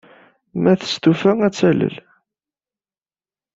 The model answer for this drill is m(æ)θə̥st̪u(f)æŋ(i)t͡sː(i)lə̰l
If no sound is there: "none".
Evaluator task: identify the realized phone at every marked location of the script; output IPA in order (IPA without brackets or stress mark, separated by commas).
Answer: æ, f, æ, æ